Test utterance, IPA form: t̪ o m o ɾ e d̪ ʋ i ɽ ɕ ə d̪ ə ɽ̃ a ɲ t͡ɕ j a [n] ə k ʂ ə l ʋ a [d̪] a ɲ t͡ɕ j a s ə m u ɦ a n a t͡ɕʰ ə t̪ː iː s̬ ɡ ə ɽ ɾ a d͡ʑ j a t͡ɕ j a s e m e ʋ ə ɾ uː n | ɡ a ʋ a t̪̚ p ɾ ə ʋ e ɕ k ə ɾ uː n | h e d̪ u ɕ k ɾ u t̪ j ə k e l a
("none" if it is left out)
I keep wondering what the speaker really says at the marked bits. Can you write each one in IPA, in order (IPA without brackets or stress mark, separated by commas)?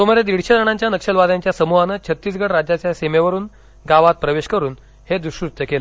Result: n, d̪